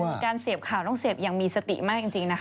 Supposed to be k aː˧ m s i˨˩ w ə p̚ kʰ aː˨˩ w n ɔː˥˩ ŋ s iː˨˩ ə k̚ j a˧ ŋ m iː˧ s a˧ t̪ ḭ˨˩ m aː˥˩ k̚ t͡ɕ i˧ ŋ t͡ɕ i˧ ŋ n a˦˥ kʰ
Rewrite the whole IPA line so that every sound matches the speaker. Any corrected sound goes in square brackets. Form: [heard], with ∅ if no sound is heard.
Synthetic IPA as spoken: k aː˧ [n] s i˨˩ [∅] ə p̚ kʰ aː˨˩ w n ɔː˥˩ ŋ s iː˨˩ ə [p̚] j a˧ ŋ m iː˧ s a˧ t̪ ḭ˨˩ m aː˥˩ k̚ t͡ɕ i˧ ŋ t͡ɕ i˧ ŋ n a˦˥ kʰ

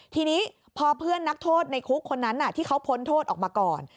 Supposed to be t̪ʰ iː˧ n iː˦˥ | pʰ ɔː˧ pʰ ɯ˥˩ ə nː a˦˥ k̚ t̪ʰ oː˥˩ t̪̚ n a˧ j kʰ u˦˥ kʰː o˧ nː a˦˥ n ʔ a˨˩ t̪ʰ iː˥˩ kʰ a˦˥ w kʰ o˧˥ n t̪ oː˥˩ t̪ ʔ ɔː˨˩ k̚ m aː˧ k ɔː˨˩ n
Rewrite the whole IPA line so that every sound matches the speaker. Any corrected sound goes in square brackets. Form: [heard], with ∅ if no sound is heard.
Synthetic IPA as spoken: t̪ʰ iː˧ n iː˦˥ | pʰ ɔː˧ pʰ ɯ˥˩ ə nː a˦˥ k̚ t̪ʰ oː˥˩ t̪̚ n a˧ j kʰ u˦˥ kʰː o˧ nː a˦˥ n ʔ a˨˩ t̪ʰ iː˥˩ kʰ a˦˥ w [pʰ] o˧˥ n [t̪ʰ] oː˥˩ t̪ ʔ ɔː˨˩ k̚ m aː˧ k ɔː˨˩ n

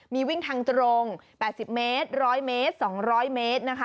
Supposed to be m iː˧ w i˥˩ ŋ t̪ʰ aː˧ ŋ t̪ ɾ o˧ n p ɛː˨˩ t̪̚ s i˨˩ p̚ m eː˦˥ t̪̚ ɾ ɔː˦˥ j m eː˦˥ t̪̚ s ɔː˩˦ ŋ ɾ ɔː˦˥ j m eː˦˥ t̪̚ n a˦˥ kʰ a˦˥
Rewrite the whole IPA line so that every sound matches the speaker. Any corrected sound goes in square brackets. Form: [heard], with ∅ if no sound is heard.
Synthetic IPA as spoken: m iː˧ w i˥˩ ŋ t̪ʰ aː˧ ŋ t̪ ɾ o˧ [ŋ] p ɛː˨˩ t̪̚ s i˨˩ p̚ m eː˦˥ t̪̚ ɾ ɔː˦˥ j m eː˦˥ t̪̚ s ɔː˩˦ ŋ ɾ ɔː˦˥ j m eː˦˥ t̪̚ n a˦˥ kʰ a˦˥

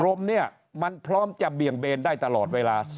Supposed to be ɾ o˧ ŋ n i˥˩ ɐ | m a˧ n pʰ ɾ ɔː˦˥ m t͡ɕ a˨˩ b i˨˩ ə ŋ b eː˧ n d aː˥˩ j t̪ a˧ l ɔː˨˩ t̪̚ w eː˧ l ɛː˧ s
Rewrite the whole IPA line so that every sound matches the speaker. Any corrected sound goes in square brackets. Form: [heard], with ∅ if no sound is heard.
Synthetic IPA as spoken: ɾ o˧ [m] n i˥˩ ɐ | m a˧ n pʰ ɾ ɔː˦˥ m t͡ɕ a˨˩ b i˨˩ ə ŋ b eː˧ n d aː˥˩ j t̪ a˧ l ɔː˨˩ t̪̚ w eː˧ l [aː˧] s

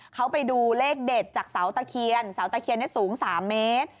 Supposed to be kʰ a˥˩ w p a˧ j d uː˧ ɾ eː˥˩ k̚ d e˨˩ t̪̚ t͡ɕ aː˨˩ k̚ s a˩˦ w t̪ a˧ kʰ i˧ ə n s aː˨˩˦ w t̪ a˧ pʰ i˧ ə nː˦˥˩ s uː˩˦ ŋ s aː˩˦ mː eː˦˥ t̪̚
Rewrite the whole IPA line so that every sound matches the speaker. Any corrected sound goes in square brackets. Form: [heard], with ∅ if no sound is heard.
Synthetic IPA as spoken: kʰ [a˦˥] w p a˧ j d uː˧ [l] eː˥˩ k̚ d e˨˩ t̪̚ t͡ɕ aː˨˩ k̚ s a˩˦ w t̪ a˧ kʰ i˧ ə n s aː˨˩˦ w t̪ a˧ [kʰ] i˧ ə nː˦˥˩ s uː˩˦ ŋ s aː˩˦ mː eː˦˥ t̪̚

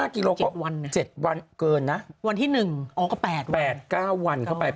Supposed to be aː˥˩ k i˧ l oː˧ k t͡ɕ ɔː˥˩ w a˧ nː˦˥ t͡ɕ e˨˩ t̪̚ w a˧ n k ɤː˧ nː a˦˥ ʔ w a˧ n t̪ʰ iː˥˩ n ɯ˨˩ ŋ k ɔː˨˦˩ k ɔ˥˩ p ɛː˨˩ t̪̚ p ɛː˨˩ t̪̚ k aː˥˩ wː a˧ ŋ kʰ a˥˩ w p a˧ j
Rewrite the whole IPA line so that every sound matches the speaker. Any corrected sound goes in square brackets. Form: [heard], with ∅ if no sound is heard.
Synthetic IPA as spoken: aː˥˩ k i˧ l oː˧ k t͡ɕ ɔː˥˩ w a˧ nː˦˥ t͡ɕ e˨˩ t̪̚ w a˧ n k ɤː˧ nː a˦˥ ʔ w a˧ n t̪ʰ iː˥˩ n ɯ˨˩ ŋ [ʔ] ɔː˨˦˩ k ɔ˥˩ p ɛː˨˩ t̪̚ p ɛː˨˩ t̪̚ k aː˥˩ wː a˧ [n] kʰ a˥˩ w p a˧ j

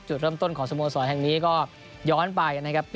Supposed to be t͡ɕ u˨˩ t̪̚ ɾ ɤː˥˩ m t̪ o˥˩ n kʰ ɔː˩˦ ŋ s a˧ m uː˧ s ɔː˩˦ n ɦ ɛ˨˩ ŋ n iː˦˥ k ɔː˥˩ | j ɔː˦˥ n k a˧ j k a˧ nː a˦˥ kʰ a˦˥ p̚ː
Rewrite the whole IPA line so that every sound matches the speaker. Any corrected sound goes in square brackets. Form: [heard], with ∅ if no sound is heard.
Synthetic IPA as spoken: t͡ɕ u˨˩ t̪̚ ɾ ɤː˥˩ m t̪ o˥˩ n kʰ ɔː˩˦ ŋ s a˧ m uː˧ s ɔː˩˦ n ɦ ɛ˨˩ ŋ n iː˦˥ k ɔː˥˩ | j ɔː˦˥ n [p] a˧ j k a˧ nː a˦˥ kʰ a˦˥ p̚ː

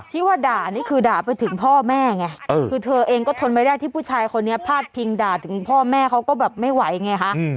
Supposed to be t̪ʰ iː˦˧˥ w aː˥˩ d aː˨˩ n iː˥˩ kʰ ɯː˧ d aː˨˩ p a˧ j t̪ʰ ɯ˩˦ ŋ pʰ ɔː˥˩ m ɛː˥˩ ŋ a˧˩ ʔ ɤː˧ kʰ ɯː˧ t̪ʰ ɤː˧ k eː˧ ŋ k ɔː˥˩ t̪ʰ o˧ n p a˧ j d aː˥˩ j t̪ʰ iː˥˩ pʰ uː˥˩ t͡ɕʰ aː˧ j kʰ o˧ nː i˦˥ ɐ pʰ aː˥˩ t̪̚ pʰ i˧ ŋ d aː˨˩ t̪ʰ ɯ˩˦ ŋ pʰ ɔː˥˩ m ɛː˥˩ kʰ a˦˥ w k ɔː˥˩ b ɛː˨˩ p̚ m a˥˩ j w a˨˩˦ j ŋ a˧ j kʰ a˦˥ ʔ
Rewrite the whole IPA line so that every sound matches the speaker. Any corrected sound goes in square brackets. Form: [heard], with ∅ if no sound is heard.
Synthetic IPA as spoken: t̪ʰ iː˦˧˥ w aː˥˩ d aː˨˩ n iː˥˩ kʰ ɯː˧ d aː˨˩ p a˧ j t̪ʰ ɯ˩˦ ŋ pʰ ɔː˥˩ m ɛː˥˩ ŋ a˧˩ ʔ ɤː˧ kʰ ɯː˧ t̪ʰ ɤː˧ [ʔ] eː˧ ŋ k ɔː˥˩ t̪ʰ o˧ n p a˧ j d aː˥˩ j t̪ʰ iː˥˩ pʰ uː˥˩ t͡ɕʰ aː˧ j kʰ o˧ nː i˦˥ ɐ pʰ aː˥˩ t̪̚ pʰ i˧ ŋ d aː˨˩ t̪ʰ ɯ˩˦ ŋ pʰ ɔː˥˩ m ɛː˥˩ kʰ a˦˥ w k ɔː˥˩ b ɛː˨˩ p̚ m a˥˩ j w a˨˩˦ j ŋ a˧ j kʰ a˦˥ ʔ

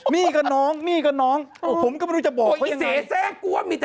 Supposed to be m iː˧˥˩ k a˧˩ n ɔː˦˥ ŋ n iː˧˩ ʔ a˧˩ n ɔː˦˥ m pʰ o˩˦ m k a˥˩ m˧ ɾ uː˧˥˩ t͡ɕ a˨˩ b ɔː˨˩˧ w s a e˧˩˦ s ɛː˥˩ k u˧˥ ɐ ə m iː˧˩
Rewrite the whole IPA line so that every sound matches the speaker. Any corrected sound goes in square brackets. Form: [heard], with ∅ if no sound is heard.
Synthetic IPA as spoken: m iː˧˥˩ k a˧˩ n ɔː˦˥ ŋ [m] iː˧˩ [k] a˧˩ n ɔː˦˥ [ŋ] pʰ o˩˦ m k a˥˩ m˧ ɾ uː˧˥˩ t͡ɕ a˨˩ b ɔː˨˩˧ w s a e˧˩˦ s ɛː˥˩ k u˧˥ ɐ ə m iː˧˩

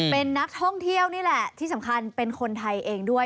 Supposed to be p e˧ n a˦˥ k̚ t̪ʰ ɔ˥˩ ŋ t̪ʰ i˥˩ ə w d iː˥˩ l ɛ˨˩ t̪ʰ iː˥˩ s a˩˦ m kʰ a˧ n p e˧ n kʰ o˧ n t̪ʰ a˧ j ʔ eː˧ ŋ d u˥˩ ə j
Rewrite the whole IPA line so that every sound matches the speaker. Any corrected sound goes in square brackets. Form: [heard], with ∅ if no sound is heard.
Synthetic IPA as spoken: p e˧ [nː] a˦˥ k̚ t̪ʰ ɔ˥˩ ŋ t̪ʰ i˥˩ ə w [n] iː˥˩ l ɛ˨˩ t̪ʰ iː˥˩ s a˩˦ m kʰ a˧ n p e˧ n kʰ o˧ n t̪ʰ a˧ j ʔ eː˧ ŋ d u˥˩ ə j

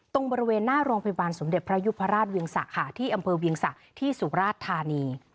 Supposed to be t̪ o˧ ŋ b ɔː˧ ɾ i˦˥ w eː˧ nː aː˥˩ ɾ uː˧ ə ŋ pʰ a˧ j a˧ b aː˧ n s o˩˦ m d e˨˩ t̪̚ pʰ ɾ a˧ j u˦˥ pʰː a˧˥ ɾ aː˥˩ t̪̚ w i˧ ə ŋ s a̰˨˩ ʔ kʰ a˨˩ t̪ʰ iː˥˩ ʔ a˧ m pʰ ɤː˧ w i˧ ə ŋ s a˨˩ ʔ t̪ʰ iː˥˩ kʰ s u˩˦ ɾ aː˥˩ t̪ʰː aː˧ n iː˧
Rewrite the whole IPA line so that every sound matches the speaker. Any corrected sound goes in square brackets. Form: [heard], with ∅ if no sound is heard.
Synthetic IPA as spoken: t̪ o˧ ŋ b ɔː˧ ɾ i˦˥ w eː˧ nː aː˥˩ ɾ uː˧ ə ŋ pʰ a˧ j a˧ b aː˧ n s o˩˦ m d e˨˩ t̪̚ pʰ ɾ [a˦˥] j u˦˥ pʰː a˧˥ ɾ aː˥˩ t̪̚ w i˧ ə ŋ s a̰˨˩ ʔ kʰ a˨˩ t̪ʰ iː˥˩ ʔ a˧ m pʰ ɤː˧ w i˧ ə ŋ s a˨˩ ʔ t̪ʰ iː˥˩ [∅] s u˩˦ ɾ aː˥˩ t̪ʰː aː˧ n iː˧

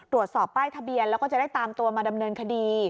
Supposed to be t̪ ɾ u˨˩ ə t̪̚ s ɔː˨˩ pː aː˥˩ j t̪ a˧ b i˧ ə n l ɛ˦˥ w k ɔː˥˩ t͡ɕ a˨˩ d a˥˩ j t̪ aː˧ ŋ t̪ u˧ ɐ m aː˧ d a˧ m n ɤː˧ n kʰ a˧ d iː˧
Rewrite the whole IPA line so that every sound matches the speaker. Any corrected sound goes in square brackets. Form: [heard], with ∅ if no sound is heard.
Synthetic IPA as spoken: t̪ ɾ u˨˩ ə t̪̚ s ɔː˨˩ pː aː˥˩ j [t̪ʰ] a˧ b i˧ ə n l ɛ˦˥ w k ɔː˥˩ t͡ɕ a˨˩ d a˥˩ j t̪ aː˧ [m] t̪ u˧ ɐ m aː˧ d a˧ m n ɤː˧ n kʰ a˧ d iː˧

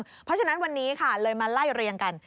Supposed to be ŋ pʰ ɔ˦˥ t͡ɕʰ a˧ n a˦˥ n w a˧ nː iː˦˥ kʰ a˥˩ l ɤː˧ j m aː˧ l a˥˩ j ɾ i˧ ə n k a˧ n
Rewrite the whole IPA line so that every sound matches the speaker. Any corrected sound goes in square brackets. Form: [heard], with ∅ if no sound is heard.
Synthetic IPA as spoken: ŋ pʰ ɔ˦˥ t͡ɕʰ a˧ n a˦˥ n w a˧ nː iː˦˥ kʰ a˥˩ l ɤː˧ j m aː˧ l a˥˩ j ɾ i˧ ə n k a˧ n

